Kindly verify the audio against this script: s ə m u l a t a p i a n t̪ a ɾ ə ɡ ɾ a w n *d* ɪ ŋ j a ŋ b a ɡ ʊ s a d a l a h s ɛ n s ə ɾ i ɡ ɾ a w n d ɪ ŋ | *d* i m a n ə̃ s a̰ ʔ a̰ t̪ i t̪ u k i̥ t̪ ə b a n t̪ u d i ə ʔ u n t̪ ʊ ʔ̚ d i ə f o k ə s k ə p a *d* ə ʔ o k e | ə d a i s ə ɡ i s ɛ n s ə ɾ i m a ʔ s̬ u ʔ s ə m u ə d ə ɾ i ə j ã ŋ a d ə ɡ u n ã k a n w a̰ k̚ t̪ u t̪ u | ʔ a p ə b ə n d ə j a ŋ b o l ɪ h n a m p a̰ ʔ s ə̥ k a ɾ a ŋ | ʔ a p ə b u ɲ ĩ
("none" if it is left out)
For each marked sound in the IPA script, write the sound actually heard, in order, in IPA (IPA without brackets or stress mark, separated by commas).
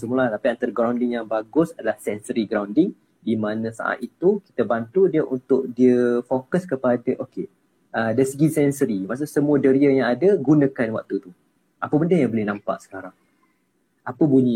d, d, d